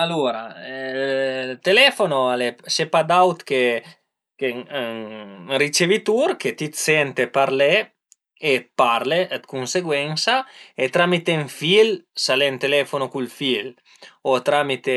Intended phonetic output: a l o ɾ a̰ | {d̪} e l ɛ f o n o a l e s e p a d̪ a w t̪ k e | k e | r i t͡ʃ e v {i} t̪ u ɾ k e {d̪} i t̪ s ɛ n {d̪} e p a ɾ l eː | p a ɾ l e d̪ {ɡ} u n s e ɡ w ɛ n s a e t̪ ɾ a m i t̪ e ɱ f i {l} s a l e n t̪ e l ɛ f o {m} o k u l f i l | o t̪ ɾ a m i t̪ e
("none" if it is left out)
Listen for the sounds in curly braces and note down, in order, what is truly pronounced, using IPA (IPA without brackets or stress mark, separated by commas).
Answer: t̪, i, t̪, t̪, k, l, n